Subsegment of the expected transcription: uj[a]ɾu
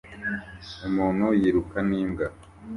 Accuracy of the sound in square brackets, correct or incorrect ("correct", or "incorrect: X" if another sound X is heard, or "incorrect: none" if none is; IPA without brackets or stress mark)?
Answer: incorrect: i